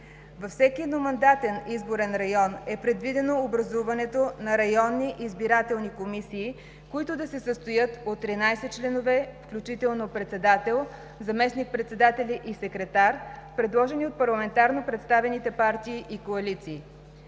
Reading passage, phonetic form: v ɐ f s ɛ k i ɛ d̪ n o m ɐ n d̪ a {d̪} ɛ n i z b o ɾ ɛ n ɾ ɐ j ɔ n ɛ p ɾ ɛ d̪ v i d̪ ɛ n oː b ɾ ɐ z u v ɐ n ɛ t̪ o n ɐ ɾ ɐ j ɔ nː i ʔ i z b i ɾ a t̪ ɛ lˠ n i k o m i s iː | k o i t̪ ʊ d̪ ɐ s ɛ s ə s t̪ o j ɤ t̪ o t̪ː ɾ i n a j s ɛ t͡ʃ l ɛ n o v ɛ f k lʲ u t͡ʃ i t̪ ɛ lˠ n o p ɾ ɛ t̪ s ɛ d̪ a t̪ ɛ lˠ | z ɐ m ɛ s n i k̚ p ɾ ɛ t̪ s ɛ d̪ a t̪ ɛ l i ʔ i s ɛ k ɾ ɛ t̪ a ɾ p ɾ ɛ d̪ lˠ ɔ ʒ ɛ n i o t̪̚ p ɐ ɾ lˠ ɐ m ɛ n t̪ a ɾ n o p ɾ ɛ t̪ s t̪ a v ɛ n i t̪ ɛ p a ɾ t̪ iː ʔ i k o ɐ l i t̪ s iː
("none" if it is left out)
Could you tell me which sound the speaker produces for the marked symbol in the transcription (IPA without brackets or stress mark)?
t̪